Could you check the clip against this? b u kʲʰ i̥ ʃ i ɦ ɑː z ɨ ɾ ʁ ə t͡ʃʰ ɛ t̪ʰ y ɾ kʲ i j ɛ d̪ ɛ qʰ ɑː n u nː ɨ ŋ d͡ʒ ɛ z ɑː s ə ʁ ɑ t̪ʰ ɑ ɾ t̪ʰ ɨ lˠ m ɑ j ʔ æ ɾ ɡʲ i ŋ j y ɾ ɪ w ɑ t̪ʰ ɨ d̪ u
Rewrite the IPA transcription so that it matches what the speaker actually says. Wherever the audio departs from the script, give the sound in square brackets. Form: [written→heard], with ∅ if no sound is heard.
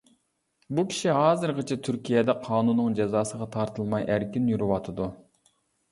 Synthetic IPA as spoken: b u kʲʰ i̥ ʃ i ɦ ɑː z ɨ ɾ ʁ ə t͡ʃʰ ɛ t̪ʰ y ɾ kʲ i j ɛ d̪ ɛ qʰ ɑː n u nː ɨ ŋ d͡ʒ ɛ z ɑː s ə ʁ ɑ t̪ʰ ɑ ɾ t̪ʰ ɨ lˠ m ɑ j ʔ æ ɾ [ɡʲ→kʲ] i [ŋ→n] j y ɾ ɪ w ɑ t̪ʰ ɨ d̪ u